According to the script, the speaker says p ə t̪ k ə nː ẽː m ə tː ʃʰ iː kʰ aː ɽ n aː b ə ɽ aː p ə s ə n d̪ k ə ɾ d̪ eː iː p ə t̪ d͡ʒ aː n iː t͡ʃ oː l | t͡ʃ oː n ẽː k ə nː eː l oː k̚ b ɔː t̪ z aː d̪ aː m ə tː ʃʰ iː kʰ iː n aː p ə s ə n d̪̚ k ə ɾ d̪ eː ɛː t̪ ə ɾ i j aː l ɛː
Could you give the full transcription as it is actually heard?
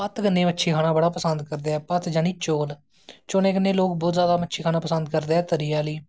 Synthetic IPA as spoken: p ə t̪ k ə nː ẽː m ə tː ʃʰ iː kʰ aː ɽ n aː b ə ɽ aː p ə s ə n d̪ k ə ɾ d̪ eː ɛː p ə t̪ d͡ʒ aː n iː t͡ʃ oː l | t͡ʃ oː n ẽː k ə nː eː l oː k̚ b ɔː t̪ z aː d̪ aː m ə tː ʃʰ iː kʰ aː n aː p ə s ə n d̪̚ k ə ɾ d̪ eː ɛː t̪ ə ɾ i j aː l iː